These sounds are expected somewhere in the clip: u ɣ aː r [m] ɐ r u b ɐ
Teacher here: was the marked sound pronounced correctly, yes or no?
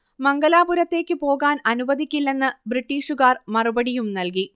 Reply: yes